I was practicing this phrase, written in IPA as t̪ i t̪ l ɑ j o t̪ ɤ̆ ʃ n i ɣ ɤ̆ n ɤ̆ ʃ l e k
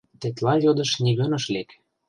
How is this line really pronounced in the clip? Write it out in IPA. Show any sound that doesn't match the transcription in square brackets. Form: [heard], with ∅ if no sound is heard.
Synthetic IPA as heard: t̪ [e] t̪ l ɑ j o [d̪] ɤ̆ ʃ n i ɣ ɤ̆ n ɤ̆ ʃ l e k

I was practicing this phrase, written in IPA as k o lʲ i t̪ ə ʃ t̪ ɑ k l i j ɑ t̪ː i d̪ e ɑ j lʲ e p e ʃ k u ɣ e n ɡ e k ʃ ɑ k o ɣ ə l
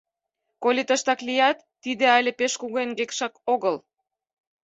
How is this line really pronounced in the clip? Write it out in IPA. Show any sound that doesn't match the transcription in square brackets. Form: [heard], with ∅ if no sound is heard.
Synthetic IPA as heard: k o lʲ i t̪ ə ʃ t̪ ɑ k l i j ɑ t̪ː i d̪ e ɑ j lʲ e p e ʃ k u ɣ e n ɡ e k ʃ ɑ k o ɣ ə l

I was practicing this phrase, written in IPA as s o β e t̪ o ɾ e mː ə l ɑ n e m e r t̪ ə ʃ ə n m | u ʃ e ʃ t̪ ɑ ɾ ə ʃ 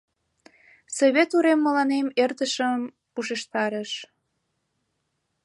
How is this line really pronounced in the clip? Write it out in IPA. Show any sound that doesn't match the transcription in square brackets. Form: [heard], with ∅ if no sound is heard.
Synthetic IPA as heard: s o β e t̪ [u] ɾ e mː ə l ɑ n e m e r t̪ ə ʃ ə [∅] m | u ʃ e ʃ t̪ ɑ ɾ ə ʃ

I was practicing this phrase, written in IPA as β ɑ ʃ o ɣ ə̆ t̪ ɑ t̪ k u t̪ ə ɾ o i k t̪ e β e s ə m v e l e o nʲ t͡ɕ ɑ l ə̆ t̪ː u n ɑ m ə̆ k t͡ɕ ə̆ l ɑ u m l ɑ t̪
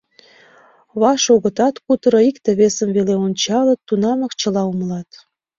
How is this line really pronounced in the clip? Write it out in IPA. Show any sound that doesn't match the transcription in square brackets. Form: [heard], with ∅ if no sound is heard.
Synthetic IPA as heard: β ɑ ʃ o ɣ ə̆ t̪ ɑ t̪ k u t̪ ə ɾ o i k t̪ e β e s ə m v e l e o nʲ t͡ɕ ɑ l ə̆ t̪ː u n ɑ m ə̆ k t͡ɕ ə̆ l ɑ u m l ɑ t̪

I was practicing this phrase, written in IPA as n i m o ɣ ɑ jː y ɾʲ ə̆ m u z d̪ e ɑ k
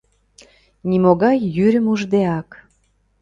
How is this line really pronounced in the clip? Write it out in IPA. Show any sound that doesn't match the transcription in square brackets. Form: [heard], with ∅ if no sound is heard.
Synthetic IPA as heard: n i m o ɣ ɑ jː y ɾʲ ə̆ m u [ʒ] d̪ e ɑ k

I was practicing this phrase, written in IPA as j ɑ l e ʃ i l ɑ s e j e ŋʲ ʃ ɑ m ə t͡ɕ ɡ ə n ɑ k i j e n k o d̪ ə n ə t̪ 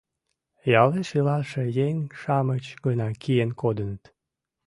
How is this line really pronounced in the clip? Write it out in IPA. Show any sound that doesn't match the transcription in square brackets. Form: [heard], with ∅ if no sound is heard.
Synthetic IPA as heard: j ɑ l e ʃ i l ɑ [ʃ] e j e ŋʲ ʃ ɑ m ə t͡ɕ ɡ ə n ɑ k i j e n k o d̪ ə n ə t̪

